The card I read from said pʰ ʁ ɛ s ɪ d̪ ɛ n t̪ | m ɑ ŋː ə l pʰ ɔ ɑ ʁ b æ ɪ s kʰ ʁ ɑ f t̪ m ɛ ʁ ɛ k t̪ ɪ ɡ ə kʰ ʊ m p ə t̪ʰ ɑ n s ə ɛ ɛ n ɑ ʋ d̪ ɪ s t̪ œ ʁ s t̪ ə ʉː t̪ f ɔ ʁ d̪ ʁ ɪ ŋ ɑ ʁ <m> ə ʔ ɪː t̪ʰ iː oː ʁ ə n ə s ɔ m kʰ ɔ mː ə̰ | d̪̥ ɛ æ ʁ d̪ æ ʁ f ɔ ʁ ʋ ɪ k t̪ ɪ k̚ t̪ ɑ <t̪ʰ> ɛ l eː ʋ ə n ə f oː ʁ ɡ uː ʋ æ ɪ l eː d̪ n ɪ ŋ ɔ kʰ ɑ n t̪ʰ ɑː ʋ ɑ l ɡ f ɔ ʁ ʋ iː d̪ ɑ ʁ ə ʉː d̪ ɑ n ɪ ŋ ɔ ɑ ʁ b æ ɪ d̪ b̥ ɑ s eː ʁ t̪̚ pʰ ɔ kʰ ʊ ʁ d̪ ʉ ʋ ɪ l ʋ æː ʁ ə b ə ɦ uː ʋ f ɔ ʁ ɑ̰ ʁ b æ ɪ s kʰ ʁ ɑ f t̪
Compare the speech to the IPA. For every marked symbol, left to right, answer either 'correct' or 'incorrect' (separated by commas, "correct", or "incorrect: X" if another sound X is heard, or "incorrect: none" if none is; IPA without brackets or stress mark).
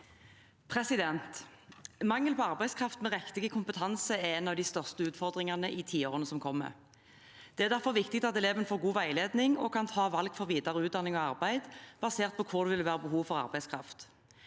incorrect: n, incorrect: t̪